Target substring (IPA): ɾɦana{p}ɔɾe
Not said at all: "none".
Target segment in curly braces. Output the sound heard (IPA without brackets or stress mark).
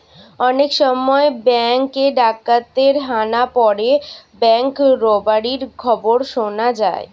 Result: p